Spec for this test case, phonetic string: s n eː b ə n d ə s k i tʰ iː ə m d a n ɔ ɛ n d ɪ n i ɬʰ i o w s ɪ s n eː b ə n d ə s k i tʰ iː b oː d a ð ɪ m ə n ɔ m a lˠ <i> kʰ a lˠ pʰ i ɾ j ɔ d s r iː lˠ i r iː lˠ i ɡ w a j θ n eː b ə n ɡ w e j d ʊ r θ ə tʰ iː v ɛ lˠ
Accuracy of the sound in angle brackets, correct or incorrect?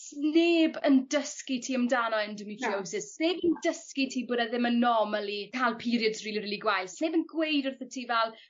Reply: correct